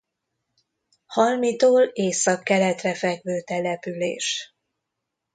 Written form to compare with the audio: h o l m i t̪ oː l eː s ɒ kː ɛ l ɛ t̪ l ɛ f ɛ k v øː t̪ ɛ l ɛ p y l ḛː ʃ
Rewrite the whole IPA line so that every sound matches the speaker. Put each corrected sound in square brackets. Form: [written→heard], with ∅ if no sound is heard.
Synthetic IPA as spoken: h [o→ɒ] l m i t̪ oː l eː s ɒ kː ɛ l ɛ t̪ [l→r] ɛ f ɛ [k→ɡ] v øː t̪ ɛ l ɛ p y l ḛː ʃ